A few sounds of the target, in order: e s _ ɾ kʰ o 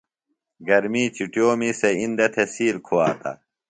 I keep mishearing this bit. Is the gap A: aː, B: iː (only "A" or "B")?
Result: B